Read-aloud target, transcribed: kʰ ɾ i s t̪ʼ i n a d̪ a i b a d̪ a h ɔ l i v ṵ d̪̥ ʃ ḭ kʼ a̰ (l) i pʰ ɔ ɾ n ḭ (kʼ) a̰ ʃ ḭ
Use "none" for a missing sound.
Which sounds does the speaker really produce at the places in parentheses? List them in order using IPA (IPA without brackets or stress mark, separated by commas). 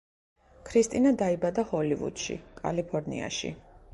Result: l, none